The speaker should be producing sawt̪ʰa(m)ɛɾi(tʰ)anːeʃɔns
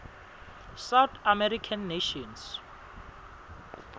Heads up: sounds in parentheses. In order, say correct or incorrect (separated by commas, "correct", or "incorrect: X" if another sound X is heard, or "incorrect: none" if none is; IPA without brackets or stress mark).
correct, incorrect: kʰ